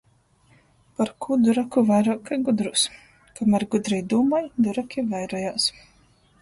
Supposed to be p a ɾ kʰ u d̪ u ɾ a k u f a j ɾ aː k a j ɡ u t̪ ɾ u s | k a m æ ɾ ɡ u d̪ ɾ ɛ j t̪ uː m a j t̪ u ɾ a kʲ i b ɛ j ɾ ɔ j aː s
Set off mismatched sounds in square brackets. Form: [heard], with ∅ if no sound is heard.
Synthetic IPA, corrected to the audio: p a ɾ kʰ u d̪ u ɾ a k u [v] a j ɾ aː k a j ɡ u [d̪] ɾ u s | k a m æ ɾ ɡ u d̪ ɾ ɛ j [d̪] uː m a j [d̪] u ɾ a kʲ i [v] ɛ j ɾ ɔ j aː s